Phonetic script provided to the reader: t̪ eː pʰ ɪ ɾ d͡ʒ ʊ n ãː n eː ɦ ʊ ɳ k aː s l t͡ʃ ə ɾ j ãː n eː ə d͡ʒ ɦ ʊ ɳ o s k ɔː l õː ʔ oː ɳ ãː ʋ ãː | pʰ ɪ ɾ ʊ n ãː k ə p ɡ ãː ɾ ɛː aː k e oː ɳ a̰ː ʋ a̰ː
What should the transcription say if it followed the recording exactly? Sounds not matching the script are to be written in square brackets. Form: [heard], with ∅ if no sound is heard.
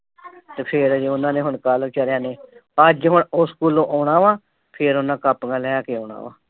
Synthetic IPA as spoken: t̪ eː pʰ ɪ ɾ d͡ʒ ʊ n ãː n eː ɦ ʊ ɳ k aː [∅] l t͡ʃ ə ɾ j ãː n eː ə d͡ʒ ɦ ʊ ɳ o s k [uː] l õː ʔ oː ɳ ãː ʋ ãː | pʰ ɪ ɾ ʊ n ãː k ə p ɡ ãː [l] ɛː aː k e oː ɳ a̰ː ʋ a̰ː